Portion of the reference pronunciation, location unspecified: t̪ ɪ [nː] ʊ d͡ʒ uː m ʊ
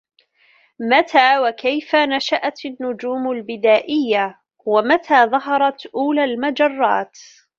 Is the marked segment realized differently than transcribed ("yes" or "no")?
no